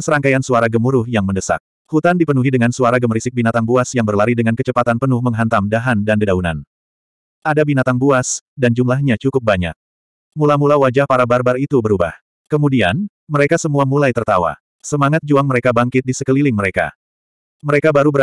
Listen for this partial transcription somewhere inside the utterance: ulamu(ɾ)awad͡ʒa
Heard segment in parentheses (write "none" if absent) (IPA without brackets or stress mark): l